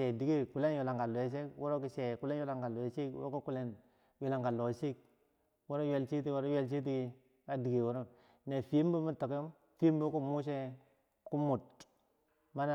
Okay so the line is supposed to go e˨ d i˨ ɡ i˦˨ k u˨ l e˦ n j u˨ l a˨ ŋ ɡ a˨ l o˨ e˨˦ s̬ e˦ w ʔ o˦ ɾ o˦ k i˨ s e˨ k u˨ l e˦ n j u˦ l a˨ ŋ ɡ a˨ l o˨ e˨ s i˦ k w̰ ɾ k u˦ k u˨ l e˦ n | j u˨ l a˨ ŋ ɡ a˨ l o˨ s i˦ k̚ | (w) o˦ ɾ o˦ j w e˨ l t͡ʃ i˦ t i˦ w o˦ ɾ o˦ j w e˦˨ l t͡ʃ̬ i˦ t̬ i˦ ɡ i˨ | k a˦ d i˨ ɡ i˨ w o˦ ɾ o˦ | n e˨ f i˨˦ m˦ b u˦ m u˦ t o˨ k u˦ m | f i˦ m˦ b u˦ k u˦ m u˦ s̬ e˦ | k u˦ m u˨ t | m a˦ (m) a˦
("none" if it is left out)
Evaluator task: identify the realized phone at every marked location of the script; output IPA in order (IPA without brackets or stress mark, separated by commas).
w, n